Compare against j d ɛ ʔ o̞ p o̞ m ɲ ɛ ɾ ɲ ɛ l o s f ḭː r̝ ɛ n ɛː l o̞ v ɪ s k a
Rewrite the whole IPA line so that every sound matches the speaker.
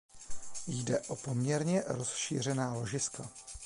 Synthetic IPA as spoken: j d ɛ ʔ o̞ p o̞ m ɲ ɛ ɾ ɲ ɛ ɾ o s ʃ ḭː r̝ ɛ n aː l o̞ ʒ ɪ s k a